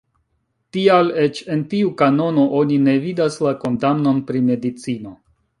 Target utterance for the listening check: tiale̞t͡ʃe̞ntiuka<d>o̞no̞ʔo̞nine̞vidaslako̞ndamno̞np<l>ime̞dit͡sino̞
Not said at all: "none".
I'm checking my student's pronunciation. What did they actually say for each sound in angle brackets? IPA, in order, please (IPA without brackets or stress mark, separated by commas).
n, ɾ